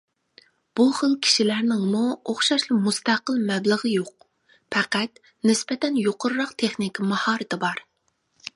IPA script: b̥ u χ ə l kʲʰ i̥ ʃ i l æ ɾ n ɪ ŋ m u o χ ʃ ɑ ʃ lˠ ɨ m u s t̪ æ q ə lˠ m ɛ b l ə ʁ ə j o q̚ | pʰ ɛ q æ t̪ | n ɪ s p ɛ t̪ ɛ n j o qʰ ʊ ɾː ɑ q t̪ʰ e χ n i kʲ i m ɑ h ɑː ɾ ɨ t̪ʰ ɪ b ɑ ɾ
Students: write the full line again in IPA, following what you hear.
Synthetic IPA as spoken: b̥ u χ ə l kʲʰ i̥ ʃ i l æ ɾ n ɪ ŋ m u o χ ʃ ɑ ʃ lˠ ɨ m u s t̪ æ q ə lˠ m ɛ b l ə ʁ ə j o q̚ | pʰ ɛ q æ t̪ | n ɪ s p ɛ t̪ ɛ n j o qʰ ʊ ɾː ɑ q t̪ʰ e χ n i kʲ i m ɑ h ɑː ɾ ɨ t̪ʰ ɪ b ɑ ɾ